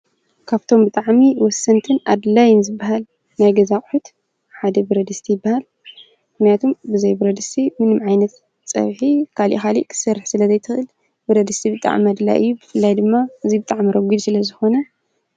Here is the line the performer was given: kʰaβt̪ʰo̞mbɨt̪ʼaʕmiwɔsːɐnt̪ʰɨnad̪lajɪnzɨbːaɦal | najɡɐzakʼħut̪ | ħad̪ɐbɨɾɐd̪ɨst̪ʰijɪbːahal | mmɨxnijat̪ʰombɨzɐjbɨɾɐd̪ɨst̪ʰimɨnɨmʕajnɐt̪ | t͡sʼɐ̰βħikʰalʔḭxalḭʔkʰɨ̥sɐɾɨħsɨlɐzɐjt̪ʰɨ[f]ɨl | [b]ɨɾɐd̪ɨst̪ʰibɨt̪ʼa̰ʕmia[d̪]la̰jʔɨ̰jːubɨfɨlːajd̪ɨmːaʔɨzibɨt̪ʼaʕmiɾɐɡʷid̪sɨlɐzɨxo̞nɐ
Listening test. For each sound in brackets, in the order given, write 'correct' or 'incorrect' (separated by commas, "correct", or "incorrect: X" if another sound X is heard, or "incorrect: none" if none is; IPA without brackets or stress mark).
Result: incorrect: x, correct, correct